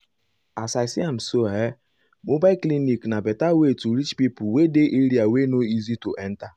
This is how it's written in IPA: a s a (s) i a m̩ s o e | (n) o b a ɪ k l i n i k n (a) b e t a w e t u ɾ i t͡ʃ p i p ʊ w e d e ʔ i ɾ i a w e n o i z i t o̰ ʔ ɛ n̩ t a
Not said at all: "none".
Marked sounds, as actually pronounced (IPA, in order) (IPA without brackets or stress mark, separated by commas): s, m, a